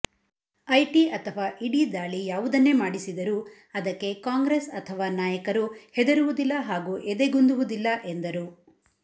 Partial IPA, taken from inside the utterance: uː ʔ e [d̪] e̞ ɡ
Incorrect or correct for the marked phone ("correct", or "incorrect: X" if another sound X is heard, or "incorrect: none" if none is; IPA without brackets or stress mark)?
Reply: correct